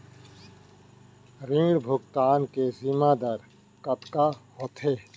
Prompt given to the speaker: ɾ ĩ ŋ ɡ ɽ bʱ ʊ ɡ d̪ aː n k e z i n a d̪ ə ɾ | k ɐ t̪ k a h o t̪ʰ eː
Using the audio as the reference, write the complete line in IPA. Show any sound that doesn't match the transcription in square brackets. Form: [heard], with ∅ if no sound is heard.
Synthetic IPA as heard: ɾ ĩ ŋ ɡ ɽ bʱ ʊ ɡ [t̪] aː n k e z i [m] a d̪ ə ɾ | k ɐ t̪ k a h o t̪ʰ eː